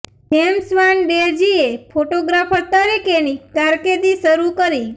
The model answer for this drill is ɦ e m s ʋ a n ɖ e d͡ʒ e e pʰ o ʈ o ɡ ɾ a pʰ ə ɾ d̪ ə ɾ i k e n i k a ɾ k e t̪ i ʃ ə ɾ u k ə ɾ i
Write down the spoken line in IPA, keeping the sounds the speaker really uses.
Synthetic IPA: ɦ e m s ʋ a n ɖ e d͡ʒ i e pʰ o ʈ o ɡ ɾ a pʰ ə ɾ t̪ ə ɾ i k e n i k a ɾ k e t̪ i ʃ ə ɾ u k ə ɾ i